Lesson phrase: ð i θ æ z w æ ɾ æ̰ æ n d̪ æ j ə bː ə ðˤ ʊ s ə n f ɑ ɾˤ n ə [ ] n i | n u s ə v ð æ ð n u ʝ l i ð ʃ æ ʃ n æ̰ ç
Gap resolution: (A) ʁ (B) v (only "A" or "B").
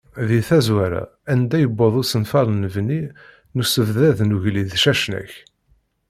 B